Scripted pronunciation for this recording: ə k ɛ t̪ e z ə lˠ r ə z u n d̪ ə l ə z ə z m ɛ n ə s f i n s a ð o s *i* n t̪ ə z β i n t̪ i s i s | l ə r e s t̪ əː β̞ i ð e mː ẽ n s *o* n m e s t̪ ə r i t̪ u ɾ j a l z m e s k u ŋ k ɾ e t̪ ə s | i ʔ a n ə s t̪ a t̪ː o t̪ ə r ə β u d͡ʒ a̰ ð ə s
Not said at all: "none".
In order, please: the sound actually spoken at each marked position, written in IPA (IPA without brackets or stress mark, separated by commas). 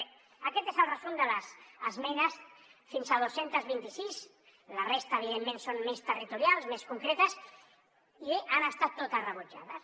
e, o